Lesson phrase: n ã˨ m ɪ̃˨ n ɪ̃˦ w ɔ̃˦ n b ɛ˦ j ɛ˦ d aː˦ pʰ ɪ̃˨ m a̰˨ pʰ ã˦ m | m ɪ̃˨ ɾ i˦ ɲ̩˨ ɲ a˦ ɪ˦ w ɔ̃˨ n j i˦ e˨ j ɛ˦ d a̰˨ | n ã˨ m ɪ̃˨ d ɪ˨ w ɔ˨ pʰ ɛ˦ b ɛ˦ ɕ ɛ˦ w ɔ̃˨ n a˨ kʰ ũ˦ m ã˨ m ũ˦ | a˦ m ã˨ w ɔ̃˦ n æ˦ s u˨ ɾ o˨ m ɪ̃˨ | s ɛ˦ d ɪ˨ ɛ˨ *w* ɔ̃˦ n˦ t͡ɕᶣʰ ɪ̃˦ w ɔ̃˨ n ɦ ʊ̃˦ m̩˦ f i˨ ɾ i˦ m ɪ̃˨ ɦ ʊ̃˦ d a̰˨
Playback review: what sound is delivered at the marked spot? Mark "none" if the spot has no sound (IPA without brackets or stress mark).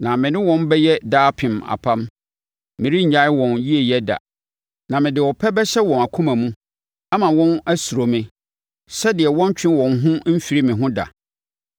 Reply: w